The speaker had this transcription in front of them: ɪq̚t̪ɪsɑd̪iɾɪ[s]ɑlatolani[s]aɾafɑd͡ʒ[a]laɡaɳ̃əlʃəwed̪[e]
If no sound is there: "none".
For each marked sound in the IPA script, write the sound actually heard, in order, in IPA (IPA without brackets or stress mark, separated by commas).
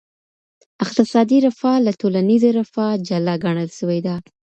f, z, a, a